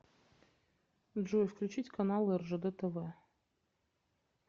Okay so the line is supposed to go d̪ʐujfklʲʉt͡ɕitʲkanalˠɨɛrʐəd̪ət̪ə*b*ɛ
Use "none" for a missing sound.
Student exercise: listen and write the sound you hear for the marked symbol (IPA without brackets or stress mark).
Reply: v